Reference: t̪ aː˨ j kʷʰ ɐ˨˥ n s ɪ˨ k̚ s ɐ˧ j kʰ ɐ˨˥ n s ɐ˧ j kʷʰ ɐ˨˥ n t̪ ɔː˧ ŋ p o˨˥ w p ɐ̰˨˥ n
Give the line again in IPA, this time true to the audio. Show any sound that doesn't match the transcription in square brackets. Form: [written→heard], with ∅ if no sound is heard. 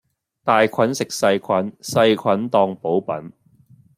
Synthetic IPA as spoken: t̪ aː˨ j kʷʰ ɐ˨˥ n s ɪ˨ k̚ s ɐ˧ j kʰ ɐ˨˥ n s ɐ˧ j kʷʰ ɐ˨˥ n t̪ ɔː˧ ŋ p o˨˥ w p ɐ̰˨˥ n